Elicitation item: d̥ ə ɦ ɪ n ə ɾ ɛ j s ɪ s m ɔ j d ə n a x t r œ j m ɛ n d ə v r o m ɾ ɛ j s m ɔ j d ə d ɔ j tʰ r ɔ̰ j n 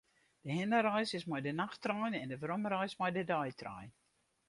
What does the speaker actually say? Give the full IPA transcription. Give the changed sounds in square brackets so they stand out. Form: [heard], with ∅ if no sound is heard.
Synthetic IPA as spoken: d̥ ə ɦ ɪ n ə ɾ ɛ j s ɪ s m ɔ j d ə n a x t r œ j [n] ɛ n d ə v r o m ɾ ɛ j s m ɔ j d ə d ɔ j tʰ r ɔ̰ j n